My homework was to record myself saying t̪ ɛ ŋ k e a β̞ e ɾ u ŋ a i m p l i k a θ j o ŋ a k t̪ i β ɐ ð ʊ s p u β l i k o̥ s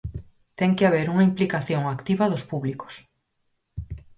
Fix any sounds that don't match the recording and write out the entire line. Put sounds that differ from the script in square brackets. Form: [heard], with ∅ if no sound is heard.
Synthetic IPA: t̪ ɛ ŋ k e a β̞ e ɾ u ŋ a i m p l i k a θ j o ŋ a k t̪ i β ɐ ð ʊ s p u β l i k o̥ s